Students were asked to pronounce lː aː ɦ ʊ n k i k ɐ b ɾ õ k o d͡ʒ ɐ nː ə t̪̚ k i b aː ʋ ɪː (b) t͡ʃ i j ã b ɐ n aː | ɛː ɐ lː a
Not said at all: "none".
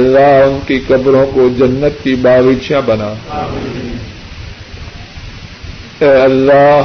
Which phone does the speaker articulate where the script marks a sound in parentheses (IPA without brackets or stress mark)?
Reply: none